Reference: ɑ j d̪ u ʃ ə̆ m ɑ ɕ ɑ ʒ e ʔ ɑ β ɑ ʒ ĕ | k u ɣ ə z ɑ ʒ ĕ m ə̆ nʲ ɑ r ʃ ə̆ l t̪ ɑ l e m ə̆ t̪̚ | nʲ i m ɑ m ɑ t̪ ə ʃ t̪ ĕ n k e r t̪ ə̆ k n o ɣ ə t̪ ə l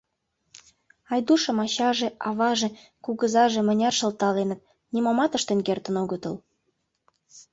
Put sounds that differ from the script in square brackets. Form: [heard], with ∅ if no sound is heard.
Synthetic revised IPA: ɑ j d̪ u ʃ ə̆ m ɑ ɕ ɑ ʒ e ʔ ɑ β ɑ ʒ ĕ | k u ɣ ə z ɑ ʒ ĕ m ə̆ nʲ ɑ r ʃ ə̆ l t̪ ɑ l e [n] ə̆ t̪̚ | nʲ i m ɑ m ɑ t̪ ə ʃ t̪ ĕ n k e r t̪ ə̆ [∅] n o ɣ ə t̪ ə l